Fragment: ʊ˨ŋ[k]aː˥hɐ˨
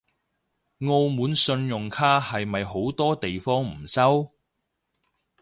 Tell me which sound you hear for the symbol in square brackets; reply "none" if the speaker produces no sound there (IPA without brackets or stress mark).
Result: kʰ